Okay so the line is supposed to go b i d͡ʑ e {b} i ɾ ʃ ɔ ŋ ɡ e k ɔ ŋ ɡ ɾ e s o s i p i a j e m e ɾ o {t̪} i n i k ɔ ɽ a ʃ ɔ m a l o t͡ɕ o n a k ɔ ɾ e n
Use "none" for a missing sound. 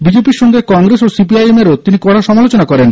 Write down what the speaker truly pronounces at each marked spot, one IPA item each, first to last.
p, t̪

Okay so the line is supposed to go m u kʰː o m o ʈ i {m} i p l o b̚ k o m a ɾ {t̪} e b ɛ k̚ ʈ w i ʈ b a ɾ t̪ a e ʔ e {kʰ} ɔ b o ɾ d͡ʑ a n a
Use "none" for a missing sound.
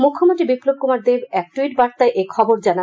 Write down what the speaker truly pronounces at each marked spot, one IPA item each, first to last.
b, d̪, kʰ

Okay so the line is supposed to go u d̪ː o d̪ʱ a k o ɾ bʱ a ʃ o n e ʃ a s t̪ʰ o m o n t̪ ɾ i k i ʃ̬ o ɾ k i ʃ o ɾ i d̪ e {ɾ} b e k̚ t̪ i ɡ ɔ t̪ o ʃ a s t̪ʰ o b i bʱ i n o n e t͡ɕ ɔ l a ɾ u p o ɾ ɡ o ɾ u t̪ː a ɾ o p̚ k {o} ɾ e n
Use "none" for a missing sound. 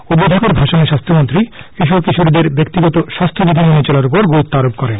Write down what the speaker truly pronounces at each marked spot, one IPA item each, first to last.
ɾ, ɔ

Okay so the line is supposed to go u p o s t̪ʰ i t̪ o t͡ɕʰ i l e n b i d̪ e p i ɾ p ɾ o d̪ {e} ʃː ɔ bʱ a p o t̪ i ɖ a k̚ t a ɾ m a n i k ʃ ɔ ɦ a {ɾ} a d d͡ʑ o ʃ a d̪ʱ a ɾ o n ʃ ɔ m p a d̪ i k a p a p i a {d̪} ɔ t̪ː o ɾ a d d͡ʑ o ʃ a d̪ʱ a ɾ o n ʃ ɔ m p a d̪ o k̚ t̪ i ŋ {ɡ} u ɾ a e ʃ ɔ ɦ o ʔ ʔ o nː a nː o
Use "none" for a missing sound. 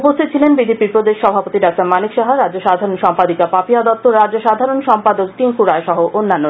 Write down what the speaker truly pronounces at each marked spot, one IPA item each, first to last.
e, ɾ, d̪, k

